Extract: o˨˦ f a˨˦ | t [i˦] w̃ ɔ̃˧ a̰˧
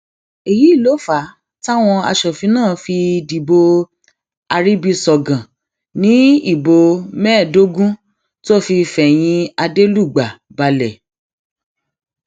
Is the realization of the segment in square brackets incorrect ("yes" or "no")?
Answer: yes